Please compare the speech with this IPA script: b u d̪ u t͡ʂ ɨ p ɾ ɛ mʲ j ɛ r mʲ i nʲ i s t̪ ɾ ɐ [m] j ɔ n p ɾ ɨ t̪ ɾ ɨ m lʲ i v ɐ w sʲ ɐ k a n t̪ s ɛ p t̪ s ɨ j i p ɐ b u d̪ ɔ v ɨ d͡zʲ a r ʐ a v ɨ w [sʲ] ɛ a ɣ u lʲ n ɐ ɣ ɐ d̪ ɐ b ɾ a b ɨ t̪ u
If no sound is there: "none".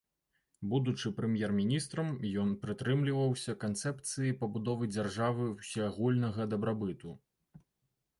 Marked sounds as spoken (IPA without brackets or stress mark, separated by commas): m, sʲ